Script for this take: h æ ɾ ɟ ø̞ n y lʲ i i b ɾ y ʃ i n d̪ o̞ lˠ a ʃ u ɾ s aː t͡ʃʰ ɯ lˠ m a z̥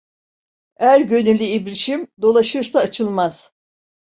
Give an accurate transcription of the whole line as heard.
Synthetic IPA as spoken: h æ ɾ ɟ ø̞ n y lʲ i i b ɾ i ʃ i m d̪ o̞ lˠ a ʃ ɯ ɾ s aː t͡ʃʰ ɯ lˠ m a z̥